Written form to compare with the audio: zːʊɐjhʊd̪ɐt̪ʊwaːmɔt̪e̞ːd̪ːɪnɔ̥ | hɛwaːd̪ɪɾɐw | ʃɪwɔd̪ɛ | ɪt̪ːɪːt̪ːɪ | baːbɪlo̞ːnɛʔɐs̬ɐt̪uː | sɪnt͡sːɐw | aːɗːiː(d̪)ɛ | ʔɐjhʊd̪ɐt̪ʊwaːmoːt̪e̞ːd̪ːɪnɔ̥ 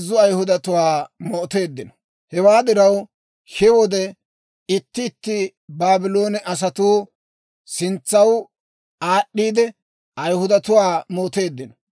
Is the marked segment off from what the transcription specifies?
no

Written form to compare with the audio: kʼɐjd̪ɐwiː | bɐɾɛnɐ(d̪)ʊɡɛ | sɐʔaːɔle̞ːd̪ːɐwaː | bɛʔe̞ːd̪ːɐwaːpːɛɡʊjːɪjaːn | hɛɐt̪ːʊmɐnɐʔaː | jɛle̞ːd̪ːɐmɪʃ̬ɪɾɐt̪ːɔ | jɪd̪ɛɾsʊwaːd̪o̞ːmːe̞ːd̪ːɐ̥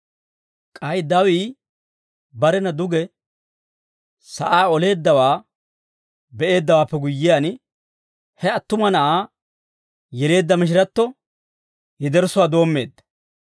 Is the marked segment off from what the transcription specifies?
no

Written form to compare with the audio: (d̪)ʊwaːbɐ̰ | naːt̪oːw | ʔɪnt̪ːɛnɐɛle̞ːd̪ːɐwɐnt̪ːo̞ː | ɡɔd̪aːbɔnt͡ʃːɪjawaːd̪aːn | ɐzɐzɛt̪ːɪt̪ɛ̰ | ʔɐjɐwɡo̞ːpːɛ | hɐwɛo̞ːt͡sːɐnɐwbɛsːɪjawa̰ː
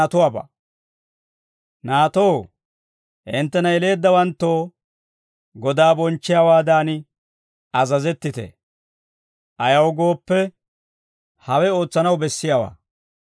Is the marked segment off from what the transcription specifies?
yes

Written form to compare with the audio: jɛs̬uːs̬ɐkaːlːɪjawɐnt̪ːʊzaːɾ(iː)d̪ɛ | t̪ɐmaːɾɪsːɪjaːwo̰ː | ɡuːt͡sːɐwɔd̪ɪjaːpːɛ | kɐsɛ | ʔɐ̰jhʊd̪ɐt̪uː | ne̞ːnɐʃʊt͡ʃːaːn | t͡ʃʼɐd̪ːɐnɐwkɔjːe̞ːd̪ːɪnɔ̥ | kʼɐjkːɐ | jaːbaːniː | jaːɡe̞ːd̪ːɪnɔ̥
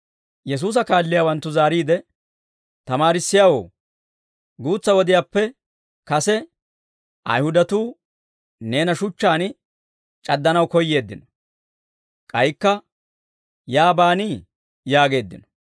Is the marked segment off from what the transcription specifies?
no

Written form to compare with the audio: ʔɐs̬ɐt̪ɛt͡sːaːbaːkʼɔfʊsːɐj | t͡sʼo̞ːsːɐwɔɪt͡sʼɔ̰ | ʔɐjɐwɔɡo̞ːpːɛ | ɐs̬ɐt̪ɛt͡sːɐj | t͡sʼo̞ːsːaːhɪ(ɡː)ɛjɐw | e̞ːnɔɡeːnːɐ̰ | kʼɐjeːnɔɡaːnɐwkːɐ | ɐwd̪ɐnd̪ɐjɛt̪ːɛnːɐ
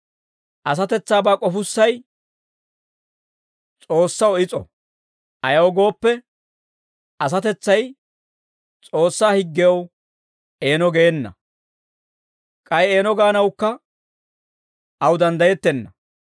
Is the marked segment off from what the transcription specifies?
no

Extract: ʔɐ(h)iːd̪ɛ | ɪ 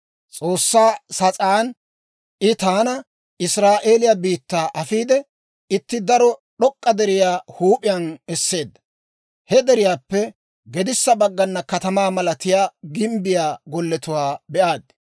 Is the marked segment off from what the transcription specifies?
yes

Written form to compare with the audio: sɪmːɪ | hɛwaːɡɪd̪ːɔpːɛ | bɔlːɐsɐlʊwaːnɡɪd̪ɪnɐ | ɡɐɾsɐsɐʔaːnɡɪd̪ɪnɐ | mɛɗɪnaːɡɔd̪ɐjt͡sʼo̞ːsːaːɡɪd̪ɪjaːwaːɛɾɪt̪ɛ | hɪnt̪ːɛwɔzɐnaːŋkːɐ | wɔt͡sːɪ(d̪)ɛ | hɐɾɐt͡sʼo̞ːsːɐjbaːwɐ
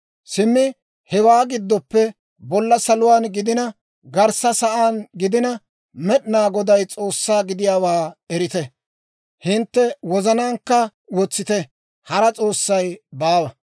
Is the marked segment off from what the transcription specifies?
yes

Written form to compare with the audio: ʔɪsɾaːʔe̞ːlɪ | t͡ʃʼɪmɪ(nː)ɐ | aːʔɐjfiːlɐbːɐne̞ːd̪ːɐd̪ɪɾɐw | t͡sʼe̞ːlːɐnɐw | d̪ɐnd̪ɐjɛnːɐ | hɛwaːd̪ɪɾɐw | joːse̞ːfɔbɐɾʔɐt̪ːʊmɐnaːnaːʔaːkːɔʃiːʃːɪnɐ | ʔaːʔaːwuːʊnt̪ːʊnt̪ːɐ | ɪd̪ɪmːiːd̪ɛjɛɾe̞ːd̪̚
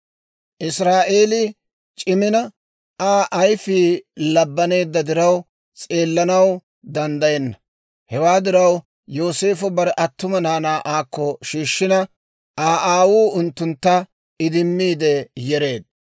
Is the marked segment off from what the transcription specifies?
yes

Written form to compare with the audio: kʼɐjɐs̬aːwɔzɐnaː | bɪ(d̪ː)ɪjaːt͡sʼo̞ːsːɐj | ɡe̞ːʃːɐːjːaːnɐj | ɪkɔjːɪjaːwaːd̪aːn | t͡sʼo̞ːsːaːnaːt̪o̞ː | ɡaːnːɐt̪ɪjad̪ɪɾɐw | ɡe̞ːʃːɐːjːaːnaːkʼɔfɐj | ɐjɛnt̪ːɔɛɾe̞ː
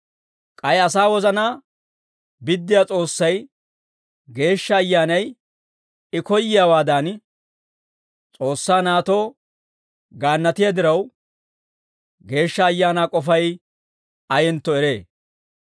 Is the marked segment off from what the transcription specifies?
no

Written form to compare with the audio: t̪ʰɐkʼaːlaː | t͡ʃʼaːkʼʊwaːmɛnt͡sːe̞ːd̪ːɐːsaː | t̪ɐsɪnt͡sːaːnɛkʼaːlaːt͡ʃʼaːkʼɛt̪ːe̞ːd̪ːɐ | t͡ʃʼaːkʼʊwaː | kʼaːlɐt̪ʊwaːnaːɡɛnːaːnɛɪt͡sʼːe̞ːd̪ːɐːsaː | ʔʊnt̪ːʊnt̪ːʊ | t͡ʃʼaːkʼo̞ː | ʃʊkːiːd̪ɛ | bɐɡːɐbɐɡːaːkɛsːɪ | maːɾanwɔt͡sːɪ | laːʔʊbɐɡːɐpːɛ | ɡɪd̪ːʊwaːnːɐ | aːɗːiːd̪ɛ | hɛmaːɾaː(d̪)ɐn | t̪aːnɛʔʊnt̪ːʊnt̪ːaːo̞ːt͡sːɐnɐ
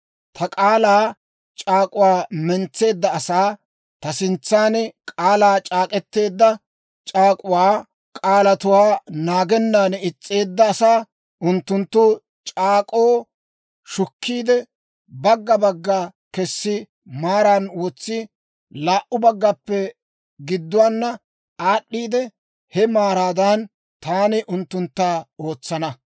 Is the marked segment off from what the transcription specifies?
no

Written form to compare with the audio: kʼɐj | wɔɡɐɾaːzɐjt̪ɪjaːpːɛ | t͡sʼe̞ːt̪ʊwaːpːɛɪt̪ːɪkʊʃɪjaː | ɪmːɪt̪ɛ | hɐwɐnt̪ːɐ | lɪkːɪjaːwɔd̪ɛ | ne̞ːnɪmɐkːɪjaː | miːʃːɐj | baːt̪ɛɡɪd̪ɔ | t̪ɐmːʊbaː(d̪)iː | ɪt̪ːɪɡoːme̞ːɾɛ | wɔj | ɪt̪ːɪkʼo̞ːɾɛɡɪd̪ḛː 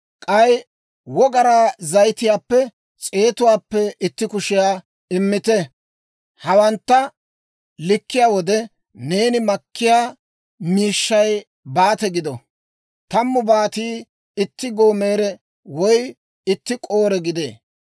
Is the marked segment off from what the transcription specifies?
yes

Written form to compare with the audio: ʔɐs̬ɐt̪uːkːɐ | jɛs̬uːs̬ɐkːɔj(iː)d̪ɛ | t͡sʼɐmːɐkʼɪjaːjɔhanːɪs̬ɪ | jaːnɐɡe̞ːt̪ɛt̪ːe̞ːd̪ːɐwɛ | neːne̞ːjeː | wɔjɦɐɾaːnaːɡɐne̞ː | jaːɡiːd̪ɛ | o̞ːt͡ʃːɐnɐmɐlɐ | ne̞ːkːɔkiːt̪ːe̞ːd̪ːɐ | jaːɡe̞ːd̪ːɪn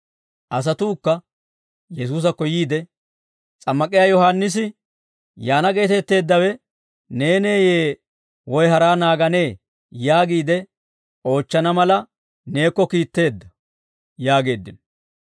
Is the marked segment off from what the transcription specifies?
no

